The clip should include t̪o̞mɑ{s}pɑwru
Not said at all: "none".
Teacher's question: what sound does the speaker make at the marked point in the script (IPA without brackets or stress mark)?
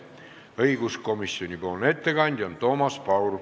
s